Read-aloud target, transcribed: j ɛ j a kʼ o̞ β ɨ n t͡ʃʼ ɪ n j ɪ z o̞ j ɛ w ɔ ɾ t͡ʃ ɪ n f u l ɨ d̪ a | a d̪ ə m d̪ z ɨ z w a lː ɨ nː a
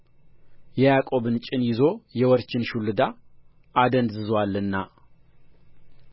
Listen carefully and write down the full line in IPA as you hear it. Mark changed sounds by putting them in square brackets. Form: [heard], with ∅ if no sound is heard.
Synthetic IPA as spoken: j ɛ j a kʼ o̞ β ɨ n t͡ʃʼ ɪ n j ɪ z o̞ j ɛ w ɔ ɾ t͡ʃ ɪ n [ʃ] u l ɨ d̪ a | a d̪ ə [n] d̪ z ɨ z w a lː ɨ nː a